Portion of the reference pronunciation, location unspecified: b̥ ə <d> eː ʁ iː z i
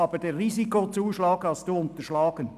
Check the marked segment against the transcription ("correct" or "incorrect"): correct